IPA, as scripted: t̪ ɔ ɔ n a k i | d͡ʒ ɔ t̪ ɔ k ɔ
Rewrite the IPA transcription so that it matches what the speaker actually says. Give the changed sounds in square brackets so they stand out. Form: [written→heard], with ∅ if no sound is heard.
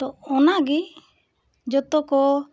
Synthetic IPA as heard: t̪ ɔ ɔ n a [k→ɡ] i | d͡ʒ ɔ t̪ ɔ k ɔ

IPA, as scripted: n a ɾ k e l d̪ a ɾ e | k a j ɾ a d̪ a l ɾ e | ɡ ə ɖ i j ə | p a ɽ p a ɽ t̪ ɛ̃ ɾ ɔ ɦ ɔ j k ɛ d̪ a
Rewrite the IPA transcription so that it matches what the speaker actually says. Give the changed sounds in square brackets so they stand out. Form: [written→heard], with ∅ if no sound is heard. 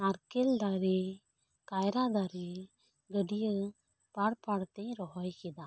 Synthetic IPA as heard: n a ɾ k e l d̪ a ɾ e | k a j ɾ a d̪ a [l→∅] ɾ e | ɡ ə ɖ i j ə | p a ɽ p a ɽ t̪ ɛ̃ ɾ ɔ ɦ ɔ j k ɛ d̪ a

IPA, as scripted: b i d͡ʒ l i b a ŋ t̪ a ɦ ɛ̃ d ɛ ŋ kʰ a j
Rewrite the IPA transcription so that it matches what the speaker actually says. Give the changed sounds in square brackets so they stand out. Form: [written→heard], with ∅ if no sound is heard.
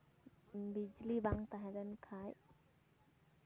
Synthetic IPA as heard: b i d͡ʒ l i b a ŋ t̪ a ɦ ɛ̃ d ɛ [ŋ→n] kʰ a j

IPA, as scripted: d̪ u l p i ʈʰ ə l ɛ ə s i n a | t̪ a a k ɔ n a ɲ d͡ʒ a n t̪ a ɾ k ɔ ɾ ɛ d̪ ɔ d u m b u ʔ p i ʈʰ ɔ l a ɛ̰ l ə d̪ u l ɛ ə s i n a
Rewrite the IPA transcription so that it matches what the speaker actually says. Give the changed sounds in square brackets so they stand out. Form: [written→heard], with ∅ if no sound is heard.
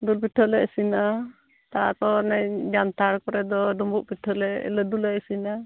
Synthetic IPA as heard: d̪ u l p i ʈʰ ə l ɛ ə s i n a | t̪ a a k ɔ n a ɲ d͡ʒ a n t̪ a ɾ k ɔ ɾ ɛ d̪ ɔ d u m b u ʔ p i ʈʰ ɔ l [a→ɛ] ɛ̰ l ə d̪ u l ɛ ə s i n a

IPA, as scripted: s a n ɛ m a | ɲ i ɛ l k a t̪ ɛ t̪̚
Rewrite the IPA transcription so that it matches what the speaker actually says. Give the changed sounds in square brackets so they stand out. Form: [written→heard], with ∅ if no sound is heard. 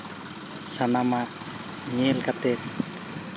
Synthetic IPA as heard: s a n [ɛ→a] m a | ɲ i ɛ l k a t̪ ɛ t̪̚

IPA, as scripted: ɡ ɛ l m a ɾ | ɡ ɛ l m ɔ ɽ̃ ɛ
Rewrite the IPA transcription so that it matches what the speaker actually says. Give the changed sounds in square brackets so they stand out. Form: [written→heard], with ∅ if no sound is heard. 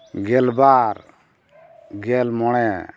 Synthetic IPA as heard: ɡ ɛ l [m→b] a ɾ | ɡ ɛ l m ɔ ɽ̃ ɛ

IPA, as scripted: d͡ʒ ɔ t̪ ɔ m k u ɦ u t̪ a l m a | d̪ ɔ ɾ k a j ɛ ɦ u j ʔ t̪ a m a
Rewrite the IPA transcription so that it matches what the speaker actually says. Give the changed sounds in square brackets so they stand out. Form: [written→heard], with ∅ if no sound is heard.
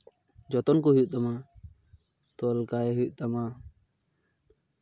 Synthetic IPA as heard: d͡ʒ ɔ t̪ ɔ [m→n] k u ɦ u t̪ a [l→∅] m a | [d̪→t̪] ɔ [ɾ→l] k a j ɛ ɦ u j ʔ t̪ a m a

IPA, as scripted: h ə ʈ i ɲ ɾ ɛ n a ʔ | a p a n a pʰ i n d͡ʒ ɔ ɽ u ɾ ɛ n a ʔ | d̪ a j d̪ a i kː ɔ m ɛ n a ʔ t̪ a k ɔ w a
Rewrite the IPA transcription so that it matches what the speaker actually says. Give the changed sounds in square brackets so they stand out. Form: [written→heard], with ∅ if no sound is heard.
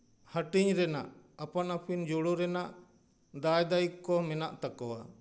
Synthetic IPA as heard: h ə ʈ i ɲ ɾ ɛ n a ʔ | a p a n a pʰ i n d͡ʒ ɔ ɽ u ɾ ɛ n a ʔ | d̪ a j d̪ a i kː ɔ m ɛ n a ʔ t̪ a k ɔ w a

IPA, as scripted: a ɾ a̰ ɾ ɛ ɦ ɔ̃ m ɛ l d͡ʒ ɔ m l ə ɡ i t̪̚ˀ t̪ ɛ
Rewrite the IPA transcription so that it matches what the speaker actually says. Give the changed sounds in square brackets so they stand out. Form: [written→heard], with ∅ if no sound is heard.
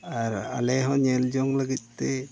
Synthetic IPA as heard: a ɾ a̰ [ɾ→l] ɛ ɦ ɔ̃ [m→ɲ] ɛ l d͡ʒ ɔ [m→ŋ] l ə ɡ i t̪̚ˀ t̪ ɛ

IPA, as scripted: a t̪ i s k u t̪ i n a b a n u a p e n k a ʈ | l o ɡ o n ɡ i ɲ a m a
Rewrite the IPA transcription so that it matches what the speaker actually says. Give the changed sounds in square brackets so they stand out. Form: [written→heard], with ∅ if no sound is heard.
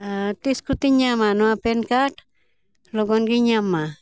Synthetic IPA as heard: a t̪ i s k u t̪ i [n→ɲ] a [b→m] a n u a p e n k a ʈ | l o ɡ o n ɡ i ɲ a m a

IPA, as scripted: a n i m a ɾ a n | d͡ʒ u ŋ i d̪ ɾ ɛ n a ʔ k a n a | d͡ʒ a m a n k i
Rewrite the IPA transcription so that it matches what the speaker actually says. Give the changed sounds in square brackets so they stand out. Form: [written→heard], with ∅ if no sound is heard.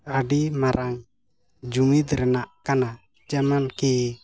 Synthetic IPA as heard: a [n→d] i m a ɾ a [n→ŋ] | d͡ʒ u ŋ i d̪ ɾ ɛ n a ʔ k a n a | d͡ʒ a m a n k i

